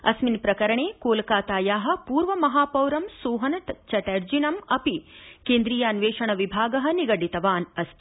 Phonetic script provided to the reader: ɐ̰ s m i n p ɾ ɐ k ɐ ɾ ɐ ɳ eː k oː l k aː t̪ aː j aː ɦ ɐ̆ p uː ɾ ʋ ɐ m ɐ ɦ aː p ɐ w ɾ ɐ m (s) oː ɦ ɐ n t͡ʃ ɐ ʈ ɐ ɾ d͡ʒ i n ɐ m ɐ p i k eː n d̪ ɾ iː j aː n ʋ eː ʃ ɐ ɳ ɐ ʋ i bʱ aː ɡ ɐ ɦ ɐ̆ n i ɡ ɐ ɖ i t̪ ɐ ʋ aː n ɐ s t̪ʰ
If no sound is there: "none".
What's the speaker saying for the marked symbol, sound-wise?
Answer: s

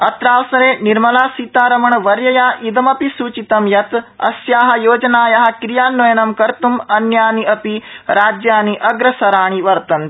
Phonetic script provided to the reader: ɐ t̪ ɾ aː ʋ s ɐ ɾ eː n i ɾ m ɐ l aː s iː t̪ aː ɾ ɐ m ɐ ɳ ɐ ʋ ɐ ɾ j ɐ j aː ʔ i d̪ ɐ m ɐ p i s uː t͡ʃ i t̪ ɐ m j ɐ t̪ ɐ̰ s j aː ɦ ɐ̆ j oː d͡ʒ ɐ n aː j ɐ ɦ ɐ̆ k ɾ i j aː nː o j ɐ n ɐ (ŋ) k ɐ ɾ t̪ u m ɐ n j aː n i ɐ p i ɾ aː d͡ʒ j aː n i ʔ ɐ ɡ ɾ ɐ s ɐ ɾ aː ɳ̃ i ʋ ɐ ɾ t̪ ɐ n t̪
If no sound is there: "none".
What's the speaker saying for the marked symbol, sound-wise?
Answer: m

